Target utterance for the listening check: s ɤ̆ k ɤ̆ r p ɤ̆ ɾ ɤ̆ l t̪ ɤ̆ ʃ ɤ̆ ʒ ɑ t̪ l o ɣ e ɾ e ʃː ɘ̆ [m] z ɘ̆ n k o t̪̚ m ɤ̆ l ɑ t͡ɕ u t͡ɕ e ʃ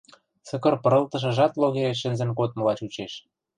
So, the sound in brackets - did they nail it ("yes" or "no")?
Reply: no